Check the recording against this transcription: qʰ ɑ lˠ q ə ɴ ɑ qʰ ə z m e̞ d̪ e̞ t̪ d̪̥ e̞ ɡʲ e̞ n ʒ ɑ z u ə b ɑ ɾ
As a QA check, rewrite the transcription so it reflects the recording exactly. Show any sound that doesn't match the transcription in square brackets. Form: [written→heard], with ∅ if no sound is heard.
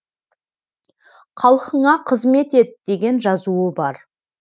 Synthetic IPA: qʰ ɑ lˠ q ə ɴ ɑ qʰ ə z m e̞ [d̪→t̪] e̞ t̪ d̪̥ e̞ ɡʲ e̞ n ʒ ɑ z u ə b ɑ ɾ